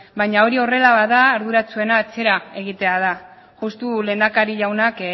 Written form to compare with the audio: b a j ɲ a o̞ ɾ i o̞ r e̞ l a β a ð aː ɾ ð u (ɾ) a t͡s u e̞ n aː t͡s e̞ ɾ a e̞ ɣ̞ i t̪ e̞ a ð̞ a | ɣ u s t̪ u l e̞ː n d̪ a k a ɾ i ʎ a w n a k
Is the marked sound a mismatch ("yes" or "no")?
no